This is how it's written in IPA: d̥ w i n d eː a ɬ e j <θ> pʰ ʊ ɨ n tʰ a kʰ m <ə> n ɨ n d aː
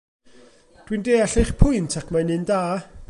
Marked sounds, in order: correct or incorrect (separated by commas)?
incorrect, incorrect